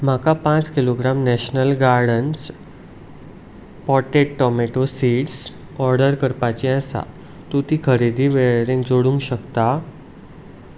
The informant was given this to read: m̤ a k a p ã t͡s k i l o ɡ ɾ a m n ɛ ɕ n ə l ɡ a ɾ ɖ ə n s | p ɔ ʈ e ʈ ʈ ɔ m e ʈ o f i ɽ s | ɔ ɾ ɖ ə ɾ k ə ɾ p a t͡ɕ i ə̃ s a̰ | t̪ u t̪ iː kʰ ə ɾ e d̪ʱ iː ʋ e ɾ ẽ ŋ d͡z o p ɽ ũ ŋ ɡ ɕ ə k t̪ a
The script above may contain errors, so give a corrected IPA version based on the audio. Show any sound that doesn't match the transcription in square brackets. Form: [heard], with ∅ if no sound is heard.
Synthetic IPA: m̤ a k a p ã t͡s k i l o ɡ ɾ a m n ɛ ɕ n ə l ɡ a ɾ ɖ ə n s | p ɔ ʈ e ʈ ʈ ɔ m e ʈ o [s] i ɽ s | ɔ ɾ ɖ ə ɾ k ə ɾ p a t͡ɕ i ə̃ s a̰ | t̪ u t̪ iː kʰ ə ɾ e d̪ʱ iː ʋ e ɾ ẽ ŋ d͡z o [∅] ɽ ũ ŋ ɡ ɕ ə k t̪ a